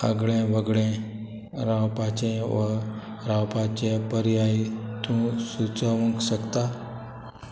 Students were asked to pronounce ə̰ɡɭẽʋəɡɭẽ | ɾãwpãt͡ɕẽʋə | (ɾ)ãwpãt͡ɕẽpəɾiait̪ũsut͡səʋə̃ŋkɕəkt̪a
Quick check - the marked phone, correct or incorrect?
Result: correct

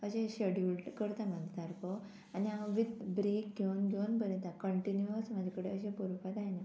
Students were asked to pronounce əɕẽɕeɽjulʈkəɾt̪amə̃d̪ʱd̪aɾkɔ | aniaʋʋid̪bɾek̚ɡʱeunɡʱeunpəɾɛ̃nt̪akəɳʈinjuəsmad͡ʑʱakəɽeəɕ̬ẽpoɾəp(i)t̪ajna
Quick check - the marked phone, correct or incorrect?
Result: incorrect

